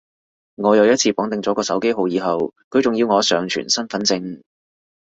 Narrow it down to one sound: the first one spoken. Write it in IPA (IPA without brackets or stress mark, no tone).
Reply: ŋ